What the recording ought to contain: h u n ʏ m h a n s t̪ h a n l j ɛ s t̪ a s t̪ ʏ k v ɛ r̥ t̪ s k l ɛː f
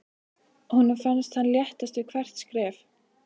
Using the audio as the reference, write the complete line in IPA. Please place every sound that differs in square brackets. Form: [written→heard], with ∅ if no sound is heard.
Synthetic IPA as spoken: h u n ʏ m [h→f] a n s t̪ h a n l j ɛ [s→h] t̪ a s t̪ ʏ [k→kʰ] v ɛ r̥ t̪ s k [l→ɾ] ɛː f